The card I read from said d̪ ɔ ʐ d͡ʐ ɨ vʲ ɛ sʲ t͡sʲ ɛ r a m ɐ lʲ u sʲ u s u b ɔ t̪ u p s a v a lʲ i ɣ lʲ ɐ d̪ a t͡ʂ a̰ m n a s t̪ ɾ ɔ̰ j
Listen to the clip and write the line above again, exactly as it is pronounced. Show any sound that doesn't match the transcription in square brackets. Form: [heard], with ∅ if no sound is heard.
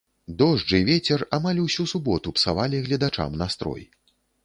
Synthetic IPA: d̪ ɔ ʐ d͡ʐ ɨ vʲ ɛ [∅] t͡sʲ ɛ r a m [a] lʲ u sʲ u s u b ɔ t̪ u p s a v a lʲ i ɣ lʲ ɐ d̪ a t͡ʂ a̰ m n a s t̪ ɾ ɔ̰ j